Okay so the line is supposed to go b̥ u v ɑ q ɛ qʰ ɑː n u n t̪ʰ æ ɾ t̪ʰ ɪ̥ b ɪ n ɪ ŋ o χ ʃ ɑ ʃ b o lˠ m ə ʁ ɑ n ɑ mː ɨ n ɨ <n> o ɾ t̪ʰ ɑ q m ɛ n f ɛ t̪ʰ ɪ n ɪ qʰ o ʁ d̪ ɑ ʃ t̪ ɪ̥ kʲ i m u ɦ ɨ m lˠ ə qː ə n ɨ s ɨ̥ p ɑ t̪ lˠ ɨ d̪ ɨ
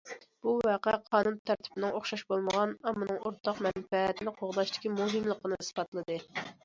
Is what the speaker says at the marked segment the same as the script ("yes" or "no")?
no